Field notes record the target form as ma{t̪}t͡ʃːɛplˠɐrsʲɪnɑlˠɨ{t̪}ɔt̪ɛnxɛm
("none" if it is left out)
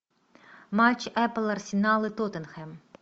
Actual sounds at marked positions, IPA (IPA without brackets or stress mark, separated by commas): none, t̪